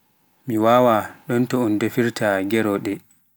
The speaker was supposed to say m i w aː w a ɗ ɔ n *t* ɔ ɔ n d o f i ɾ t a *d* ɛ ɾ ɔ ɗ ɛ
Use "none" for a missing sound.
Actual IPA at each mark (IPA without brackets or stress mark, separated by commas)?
t, ɡ